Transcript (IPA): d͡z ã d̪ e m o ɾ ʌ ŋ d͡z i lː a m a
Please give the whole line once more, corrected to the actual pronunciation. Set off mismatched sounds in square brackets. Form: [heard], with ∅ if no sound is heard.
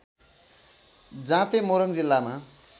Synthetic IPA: d͡z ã [t̪] e m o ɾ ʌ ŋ d͡z i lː a m a